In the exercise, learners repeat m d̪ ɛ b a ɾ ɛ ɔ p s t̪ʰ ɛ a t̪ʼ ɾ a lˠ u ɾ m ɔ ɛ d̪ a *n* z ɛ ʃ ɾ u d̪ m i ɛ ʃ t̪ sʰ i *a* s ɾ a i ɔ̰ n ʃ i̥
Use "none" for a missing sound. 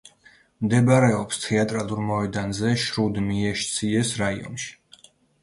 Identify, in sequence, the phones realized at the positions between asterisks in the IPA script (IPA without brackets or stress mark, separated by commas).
n, ɛ